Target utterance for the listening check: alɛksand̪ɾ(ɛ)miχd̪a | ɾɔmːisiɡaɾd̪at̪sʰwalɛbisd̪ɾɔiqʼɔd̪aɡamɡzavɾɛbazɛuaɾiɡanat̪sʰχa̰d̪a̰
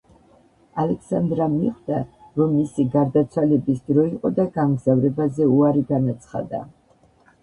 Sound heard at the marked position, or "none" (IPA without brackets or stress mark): a